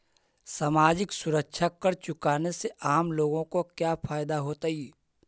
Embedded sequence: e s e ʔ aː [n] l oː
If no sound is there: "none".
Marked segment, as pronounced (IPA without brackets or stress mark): m